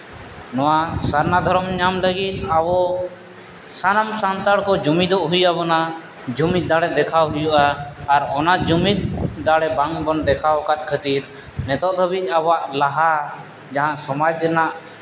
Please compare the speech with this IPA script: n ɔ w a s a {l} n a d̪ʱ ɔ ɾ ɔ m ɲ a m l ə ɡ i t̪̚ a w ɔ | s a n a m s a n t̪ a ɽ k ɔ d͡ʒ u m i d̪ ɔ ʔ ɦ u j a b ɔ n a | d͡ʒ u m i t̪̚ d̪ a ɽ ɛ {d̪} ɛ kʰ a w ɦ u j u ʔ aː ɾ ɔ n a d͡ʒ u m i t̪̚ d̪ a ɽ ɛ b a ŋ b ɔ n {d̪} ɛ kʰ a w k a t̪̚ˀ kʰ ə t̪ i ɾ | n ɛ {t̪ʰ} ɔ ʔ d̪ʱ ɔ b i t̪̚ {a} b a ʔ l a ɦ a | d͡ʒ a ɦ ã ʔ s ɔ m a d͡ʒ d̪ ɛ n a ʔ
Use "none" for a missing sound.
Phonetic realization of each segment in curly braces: ɾ, d̪, d̪, t̪, a

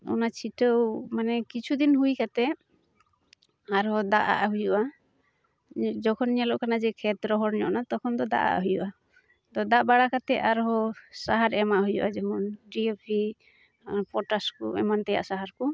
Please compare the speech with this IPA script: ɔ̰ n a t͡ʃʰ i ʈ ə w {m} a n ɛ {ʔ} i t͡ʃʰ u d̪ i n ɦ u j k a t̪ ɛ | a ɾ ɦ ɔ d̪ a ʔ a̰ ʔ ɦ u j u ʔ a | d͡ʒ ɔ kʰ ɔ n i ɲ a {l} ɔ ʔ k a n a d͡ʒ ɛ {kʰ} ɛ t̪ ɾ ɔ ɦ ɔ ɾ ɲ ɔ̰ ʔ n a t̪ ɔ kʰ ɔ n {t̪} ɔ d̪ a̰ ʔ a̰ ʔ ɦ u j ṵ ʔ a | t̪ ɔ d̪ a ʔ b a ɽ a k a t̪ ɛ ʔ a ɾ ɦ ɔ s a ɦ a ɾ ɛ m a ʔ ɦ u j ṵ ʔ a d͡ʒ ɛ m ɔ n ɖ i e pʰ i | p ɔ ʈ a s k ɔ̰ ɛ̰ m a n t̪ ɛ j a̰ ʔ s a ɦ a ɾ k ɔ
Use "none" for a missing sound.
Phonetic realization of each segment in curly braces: m, k, l, kʰ, d̪

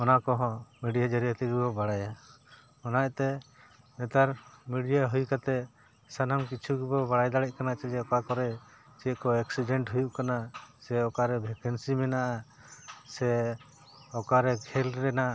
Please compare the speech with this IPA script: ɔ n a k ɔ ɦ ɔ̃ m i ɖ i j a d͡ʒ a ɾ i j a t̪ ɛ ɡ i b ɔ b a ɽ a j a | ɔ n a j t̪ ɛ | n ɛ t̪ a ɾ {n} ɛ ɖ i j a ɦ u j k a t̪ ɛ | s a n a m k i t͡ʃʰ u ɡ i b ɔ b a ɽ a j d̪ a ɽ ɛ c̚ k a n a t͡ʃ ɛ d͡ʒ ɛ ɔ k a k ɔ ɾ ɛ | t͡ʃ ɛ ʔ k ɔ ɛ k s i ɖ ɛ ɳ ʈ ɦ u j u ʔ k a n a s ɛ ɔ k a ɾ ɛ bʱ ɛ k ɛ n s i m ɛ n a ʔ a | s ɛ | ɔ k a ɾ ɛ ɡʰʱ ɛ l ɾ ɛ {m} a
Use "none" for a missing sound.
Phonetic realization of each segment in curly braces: m, n

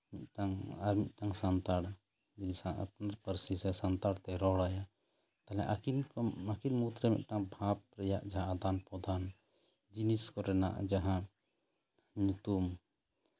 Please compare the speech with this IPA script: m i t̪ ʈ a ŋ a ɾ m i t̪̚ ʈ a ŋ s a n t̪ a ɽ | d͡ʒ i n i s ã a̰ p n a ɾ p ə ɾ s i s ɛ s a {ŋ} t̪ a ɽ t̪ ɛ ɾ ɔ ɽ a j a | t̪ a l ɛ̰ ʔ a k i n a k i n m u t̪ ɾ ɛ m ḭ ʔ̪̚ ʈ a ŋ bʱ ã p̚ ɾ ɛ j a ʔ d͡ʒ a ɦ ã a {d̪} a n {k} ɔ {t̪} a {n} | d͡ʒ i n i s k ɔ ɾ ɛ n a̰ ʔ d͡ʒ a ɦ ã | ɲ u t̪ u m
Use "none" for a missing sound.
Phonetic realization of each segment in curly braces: n, d̪, p, d̪, n

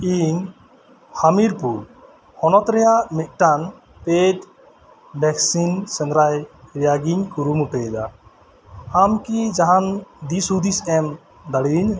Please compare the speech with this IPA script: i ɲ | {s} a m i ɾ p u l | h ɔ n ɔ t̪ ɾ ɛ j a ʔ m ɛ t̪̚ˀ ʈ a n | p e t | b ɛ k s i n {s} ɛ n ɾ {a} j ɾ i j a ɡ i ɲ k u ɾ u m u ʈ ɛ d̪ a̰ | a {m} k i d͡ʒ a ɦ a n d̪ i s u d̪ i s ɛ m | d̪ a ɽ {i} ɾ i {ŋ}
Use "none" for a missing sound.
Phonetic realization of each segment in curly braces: h, s, a, m, i, ɲ

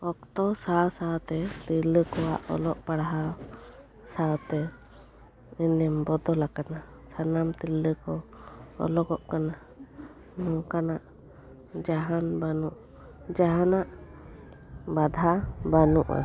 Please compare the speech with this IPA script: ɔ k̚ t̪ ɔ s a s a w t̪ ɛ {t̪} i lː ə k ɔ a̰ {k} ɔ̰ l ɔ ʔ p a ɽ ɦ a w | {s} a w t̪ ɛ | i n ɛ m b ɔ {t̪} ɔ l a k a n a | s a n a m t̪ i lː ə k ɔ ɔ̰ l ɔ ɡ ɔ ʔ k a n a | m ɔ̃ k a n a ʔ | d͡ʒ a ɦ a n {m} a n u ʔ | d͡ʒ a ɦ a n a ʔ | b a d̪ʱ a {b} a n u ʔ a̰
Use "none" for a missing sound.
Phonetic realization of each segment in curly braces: t̪, ʔ, s, d̪, b, b

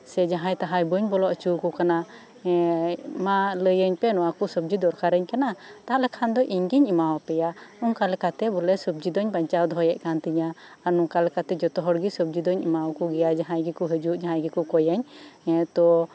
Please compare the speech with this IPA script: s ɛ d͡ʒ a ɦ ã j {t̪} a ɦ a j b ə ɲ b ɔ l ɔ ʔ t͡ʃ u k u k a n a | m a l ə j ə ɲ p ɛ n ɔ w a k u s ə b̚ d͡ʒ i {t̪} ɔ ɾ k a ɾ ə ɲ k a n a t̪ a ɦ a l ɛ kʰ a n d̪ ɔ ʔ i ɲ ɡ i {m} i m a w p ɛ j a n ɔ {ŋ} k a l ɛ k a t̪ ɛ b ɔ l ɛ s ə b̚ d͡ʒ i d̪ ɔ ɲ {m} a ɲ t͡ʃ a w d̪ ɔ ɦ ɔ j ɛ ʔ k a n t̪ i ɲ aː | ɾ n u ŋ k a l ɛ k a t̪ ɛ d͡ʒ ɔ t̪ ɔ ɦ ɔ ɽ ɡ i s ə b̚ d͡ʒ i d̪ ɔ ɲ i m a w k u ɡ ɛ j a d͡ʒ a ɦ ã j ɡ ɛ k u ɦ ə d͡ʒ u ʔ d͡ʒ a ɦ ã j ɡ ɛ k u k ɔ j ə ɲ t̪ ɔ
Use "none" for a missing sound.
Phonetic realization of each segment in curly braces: t̪, d̪, ɲ, ŋ, b

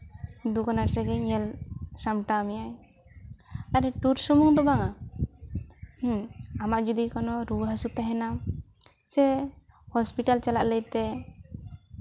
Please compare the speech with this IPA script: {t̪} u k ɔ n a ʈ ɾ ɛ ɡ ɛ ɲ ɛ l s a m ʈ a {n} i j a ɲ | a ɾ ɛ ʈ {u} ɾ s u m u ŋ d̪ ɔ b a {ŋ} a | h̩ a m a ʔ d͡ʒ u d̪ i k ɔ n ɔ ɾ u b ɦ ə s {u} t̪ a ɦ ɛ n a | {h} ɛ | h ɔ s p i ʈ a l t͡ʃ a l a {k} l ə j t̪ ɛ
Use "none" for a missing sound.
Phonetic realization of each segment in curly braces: d̪, m, u, ŋ, u, s, ʔ

